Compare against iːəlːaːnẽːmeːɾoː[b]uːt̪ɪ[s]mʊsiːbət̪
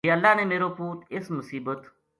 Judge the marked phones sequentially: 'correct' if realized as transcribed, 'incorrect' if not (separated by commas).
incorrect, correct